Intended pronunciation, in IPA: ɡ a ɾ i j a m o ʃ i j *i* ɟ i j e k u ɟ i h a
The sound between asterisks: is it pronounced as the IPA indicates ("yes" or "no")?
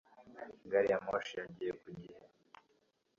no